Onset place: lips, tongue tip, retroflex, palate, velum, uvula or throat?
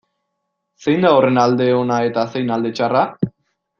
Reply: tongue tip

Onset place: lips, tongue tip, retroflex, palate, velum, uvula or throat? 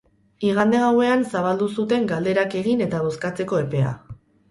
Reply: velum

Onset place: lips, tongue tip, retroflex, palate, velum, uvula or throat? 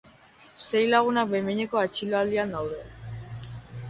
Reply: tongue tip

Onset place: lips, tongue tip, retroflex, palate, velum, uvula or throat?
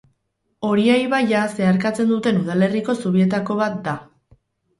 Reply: tongue tip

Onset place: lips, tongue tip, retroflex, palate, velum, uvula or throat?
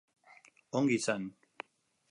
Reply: velum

